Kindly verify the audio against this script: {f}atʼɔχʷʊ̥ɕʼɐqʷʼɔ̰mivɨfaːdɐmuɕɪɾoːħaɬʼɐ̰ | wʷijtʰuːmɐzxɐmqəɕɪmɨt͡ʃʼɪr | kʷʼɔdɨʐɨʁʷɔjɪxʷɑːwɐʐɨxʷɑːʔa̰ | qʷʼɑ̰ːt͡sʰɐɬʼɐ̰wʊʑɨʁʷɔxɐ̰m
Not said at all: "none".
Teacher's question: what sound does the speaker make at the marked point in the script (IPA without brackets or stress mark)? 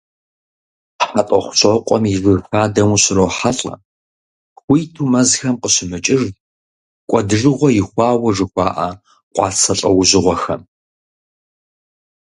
ħ